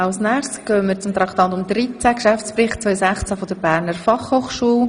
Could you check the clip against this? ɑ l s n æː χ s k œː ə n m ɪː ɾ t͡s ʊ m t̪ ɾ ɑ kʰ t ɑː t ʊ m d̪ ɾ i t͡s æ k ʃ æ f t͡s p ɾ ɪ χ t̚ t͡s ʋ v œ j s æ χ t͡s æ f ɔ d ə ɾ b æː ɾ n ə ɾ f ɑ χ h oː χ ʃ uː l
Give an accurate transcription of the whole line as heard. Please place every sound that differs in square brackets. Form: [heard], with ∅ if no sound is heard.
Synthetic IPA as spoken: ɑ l s n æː χ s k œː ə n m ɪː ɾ t͡s ʊ m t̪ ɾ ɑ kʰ t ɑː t ʊ m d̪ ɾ i t͡s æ k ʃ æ f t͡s p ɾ ɪ χ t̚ t͡s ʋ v œ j s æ χ t͡s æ f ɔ d ə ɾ b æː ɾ n ə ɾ f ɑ χ h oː χ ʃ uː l